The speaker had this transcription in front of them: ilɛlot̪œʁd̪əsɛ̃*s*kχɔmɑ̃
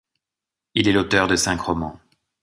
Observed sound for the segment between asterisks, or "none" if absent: none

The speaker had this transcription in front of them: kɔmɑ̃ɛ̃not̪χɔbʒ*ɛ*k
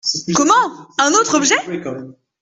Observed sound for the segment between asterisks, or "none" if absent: ɛ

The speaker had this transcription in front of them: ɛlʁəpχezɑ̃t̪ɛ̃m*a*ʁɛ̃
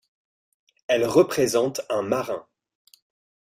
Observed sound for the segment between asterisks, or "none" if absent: a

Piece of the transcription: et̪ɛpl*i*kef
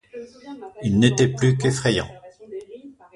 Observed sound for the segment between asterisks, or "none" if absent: y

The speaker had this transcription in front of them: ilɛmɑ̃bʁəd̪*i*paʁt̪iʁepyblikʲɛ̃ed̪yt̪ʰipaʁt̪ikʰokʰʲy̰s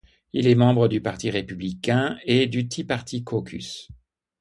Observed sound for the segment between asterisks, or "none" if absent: y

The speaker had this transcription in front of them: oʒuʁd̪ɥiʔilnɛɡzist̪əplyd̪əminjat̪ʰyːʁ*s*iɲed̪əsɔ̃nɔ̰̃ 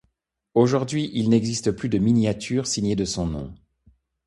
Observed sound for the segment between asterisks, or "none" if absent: s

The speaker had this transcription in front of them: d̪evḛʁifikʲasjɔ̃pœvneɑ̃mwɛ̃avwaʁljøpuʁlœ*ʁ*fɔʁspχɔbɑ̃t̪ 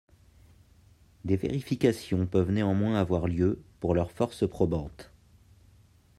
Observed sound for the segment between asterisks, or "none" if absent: ʁ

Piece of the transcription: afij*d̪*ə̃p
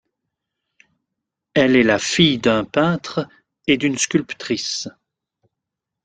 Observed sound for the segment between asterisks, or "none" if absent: d̪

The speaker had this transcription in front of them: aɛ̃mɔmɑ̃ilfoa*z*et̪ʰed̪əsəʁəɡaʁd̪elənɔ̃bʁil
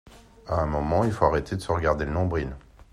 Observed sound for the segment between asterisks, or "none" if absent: ʁ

